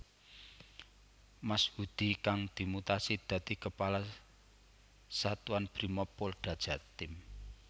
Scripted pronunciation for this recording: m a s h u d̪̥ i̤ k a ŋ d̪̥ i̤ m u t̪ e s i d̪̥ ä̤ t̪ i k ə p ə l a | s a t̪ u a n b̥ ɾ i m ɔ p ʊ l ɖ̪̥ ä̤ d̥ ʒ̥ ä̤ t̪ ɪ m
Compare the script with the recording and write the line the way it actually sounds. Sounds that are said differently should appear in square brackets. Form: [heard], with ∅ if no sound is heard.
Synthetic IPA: m a s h u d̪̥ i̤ k a ŋ d̪̥ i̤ m u t̪ [a] s i d̪̥ ä̤ t̪ i k ə p [a] l a | s a t̪ u a n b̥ ɾ i m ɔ p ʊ l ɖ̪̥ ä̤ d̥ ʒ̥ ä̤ t̪ ɪ m